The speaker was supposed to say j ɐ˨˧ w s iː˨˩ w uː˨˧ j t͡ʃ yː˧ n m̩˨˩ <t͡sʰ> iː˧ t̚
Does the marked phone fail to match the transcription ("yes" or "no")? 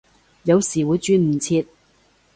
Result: no